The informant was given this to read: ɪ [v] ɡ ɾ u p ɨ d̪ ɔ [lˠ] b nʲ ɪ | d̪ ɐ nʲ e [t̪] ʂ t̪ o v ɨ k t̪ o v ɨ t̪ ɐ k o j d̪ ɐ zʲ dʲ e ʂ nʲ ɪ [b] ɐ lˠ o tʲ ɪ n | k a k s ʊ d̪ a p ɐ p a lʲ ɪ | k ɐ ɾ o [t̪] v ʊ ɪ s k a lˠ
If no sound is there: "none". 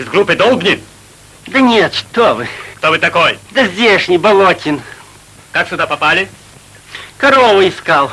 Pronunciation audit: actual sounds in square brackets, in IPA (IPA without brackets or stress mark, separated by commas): z, lˠ, t̪, b, none